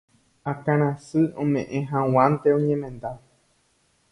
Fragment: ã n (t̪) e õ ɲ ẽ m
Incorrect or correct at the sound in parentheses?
correct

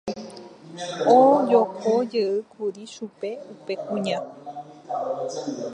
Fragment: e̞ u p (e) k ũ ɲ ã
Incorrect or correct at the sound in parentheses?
correct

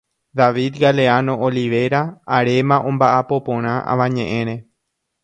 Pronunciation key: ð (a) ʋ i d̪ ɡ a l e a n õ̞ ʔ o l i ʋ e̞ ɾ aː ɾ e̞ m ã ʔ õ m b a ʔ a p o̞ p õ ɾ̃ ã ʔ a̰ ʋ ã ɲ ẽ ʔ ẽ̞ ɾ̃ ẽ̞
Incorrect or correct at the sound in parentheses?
correct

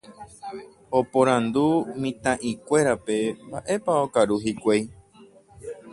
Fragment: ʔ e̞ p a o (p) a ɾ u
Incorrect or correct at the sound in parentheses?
incorrect: k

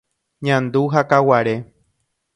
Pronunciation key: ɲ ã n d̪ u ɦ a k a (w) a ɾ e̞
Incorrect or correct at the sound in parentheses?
correct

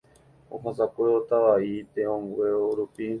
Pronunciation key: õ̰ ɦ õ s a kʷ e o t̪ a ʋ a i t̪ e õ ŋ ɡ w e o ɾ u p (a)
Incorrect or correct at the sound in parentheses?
incorrect: i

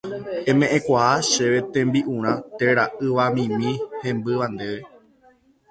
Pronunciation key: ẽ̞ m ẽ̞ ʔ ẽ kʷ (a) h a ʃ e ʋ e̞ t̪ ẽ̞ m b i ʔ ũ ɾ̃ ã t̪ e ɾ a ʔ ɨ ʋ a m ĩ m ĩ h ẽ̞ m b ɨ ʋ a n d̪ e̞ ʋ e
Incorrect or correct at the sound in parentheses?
correct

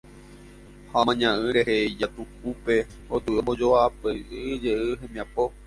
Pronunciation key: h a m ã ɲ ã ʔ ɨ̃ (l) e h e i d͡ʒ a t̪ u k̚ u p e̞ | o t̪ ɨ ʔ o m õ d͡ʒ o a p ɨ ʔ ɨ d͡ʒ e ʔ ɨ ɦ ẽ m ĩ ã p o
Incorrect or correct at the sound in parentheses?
incorrect: ɾ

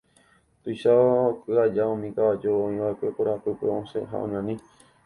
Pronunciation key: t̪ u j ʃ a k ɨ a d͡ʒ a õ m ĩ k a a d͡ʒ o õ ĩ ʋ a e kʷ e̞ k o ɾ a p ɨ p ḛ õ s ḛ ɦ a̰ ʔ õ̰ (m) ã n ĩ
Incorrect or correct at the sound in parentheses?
incorrect: ɲ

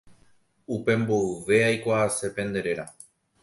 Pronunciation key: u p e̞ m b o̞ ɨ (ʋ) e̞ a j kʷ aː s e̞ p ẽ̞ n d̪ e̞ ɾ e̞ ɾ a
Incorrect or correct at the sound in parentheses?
correct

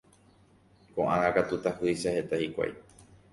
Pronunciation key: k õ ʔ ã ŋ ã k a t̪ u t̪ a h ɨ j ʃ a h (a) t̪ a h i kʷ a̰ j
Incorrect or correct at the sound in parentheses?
incorrect: e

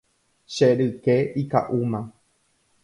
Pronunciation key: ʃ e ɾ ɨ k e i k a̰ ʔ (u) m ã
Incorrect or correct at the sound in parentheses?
correct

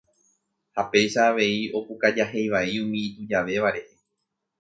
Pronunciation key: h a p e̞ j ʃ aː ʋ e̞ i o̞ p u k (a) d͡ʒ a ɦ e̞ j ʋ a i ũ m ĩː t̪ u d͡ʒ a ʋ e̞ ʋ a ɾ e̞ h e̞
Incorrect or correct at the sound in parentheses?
correct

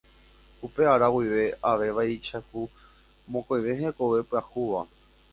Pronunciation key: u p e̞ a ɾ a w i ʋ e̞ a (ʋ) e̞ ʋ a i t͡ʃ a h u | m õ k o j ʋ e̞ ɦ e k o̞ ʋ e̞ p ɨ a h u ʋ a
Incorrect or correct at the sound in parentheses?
correct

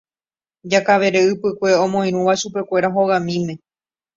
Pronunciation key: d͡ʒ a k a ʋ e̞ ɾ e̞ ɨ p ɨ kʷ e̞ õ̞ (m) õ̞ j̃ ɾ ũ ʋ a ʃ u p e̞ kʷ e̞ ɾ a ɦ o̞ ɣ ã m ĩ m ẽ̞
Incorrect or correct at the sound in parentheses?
correct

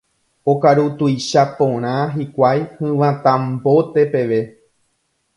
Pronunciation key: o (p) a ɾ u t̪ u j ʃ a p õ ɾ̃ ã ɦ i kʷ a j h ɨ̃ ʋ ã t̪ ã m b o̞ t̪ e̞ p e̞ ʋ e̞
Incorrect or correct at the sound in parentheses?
incorrect: k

